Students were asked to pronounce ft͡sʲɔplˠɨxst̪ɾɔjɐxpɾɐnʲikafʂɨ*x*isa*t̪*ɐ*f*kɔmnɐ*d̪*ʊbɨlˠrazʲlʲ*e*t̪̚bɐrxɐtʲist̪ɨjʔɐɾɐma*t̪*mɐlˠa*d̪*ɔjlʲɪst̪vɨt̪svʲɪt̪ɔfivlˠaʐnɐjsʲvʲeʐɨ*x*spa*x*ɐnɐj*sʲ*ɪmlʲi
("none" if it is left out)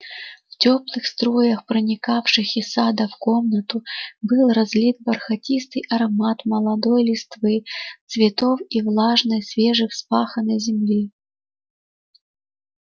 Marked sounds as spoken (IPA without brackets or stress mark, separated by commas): x, d̪, f, t̪, i, t̪, d̪, x, x, zʲ